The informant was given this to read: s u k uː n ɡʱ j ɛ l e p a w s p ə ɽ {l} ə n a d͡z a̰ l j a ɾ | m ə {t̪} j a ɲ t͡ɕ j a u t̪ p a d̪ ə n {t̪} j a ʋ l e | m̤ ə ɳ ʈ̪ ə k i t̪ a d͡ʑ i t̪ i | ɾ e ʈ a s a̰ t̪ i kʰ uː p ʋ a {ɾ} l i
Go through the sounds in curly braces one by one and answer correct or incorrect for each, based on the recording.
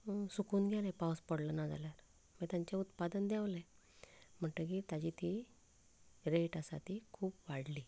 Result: correct, correct, incorrect: d̪, incorrect: ɽ

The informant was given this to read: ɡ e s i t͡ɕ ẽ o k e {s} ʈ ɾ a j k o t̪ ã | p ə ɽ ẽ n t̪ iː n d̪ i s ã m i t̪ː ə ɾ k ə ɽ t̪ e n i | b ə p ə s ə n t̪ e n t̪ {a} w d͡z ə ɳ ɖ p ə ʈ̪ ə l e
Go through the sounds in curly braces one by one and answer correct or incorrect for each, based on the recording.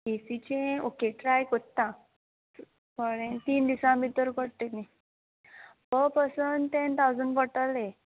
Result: incorrect: none, correct

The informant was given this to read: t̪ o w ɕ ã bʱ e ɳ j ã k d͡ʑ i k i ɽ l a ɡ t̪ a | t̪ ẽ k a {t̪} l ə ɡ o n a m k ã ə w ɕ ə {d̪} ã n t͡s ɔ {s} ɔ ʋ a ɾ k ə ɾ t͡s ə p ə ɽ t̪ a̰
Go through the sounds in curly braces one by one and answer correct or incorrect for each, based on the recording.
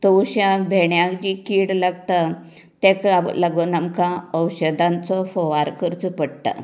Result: incorrect: none, correct, incorrect: f

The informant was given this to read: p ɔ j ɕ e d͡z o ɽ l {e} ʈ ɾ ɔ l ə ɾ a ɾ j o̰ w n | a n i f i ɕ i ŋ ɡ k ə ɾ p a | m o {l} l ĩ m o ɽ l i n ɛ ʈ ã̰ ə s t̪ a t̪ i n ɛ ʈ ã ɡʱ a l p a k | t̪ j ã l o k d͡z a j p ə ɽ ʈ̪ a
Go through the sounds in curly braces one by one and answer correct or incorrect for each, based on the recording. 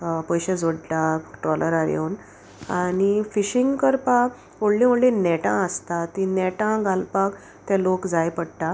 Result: incorrect: a, incorrect: ɽ

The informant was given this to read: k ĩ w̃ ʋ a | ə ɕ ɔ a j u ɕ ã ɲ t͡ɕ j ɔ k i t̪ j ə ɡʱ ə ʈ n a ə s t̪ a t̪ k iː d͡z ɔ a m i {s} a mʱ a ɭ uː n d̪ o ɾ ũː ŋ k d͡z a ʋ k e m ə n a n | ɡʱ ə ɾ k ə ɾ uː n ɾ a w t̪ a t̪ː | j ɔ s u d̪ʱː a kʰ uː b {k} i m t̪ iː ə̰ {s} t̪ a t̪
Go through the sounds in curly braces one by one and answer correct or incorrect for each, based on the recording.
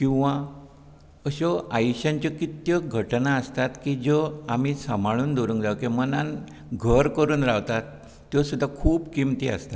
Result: correct, correct, correct

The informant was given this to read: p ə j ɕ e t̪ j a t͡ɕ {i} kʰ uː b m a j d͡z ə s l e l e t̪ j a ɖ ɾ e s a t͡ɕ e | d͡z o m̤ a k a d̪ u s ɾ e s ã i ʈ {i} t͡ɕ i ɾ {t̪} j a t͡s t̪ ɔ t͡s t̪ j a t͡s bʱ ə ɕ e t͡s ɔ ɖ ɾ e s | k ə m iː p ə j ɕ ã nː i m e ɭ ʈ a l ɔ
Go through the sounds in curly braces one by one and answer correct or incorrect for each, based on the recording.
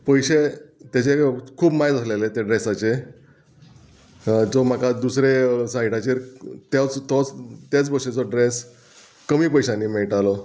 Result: incorrect: e, incorrect: a, correct

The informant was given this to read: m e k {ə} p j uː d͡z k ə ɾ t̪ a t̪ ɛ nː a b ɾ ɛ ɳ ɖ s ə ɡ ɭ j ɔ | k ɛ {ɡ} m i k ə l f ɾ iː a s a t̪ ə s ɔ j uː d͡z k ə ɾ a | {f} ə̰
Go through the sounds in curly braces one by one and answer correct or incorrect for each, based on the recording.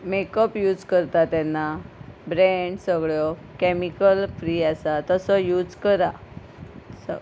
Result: correct, incorrect: none, incorrect: s

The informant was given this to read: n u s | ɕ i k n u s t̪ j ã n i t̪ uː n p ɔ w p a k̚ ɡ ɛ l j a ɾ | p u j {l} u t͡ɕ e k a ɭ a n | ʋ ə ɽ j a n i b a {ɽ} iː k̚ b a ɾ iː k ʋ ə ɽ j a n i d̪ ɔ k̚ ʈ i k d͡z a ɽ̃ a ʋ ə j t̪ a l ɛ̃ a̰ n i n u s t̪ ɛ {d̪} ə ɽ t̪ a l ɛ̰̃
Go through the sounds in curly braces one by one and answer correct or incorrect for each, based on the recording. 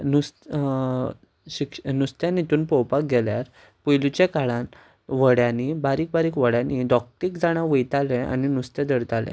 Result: correct, incorrect: ɾ, correct

